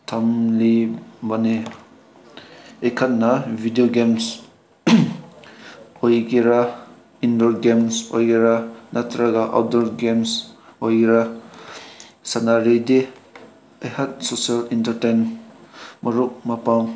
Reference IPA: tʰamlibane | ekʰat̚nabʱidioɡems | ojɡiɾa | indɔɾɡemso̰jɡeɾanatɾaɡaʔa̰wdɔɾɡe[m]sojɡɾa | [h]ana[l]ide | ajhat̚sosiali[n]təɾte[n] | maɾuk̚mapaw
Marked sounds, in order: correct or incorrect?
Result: correct, incorrect, incorrect, correct, correct

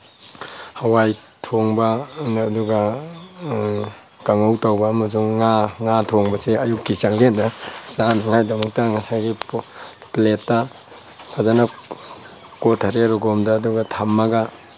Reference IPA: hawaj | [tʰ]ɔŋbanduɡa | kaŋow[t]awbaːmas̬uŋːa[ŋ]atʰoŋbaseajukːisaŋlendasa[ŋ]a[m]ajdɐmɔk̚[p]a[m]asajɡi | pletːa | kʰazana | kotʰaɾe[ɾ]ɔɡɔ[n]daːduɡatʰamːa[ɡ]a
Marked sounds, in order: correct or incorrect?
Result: correct, correct, correct, incorrect, incorrect, incorrect, incorrect, correct, incorrect, correct

